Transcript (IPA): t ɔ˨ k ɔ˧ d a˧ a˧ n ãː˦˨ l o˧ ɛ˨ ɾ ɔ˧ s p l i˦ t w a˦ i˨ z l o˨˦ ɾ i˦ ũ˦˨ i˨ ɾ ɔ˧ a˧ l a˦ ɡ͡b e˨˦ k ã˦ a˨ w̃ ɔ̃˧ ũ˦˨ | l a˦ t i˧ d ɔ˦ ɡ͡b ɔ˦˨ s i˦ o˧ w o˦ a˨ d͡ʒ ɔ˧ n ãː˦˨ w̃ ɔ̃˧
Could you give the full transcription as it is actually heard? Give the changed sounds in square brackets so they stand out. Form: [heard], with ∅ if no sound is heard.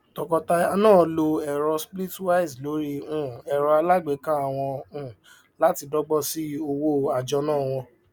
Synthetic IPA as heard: t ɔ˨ k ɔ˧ [t] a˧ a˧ n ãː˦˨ l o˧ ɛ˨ ɾ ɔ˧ s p l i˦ t w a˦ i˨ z l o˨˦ ɾ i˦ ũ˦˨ [ɛ˨] ɾ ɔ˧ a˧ l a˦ ɡ͡b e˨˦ k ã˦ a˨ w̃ ɔ̃˧ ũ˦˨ | l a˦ t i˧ d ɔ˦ ɡ͡b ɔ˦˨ s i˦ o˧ w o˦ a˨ d͡ʒ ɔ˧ n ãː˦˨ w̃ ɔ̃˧